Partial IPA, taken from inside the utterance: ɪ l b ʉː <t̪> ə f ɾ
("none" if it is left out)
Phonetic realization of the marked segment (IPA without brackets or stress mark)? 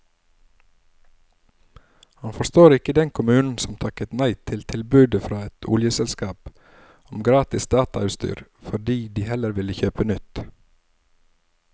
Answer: d̪